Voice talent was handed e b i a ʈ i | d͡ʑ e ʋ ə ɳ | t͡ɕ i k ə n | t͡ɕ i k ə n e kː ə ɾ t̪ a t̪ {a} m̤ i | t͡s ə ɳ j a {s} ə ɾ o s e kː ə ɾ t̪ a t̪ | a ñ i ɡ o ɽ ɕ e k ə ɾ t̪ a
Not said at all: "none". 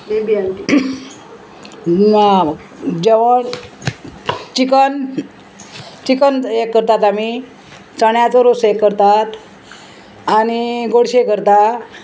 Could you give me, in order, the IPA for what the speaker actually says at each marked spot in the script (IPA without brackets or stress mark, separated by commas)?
a, t͡s